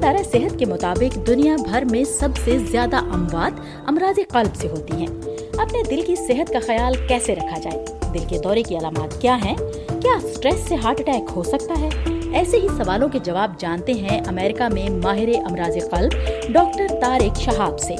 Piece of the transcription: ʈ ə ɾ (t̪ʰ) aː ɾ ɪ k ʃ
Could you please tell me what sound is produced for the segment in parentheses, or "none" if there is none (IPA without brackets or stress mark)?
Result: t̪